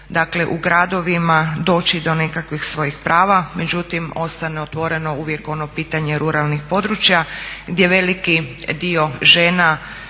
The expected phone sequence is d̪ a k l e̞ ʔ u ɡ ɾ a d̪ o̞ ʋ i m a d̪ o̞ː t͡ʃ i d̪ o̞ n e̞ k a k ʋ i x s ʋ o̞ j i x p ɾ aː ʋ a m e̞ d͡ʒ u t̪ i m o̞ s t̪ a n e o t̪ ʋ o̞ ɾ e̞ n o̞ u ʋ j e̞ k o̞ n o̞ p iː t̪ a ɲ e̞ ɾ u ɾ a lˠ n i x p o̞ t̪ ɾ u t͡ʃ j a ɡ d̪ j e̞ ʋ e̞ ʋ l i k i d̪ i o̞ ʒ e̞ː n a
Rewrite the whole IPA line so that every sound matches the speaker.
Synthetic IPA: d̪ a k l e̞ ʔ u ɡ ɾ a d̪ o̞ ʋ i m a d̪ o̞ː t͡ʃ i d̪ o̞ n e̞ k a k ʋ i x s ʋ o̞ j i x p ɾ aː ʋ a m e̞ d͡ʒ u t̪ i m o̞ s t̪ a n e o t̪ ʋ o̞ ɾ e̞ n o̞ u ʋ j e̞ k o̞ n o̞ p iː t̪ a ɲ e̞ ɾ u ɾ a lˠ n i x p o̞ d̪ ɾ u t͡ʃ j a ɡ d̪ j e̞ ʋ e̞ l i k i d̪ i o̞ ʒ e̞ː n a